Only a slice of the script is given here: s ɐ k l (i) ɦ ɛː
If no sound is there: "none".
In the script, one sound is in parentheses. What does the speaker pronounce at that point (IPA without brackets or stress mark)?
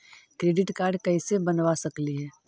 i